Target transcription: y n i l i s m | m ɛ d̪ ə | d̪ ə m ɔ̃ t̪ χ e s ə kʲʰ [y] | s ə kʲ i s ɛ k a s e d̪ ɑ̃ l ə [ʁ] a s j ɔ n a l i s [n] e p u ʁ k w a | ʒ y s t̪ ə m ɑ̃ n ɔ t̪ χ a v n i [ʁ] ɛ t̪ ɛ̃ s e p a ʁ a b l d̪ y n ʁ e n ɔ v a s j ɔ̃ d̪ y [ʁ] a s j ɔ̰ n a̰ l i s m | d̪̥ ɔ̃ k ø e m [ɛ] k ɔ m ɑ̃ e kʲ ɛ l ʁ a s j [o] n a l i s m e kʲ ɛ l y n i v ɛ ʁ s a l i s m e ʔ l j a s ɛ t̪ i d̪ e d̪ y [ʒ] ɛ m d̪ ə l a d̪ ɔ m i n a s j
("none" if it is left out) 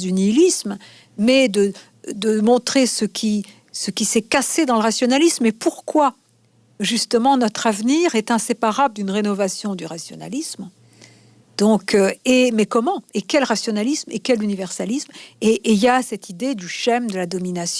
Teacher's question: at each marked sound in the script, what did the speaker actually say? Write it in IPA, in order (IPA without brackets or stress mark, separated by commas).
i, ʁ, m, ʁ, ʁ, ɛ, ɔ, ʃ